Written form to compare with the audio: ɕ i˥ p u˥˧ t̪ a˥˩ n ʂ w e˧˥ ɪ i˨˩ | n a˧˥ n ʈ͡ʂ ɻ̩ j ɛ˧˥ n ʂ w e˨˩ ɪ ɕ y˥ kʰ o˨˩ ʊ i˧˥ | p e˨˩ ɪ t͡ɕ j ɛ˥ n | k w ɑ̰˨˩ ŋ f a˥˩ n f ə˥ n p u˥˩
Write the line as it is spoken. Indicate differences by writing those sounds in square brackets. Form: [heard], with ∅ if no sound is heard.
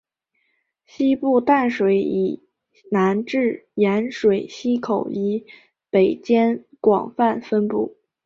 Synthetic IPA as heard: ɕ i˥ p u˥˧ t̪ a˥˩ n ʂ w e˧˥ ɪ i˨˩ | n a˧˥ n ʈ͡ʂ ɻ̩ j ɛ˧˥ n ʂ w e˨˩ ɪ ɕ [i˥] kʰ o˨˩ ʊ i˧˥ | p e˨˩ ɪ t͡ɕ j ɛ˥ n | k w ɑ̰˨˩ ŋ f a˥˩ n f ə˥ n p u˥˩